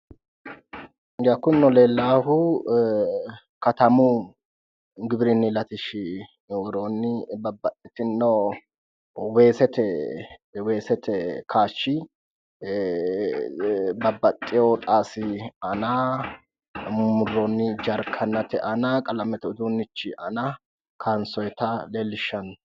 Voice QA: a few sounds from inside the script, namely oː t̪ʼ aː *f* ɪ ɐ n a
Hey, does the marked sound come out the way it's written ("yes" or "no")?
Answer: no